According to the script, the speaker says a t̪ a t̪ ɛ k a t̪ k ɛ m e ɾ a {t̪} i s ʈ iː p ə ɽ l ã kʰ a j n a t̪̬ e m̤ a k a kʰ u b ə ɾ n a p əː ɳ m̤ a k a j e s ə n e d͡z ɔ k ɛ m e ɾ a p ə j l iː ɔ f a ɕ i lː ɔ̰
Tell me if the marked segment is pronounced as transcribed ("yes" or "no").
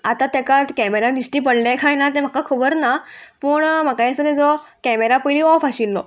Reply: no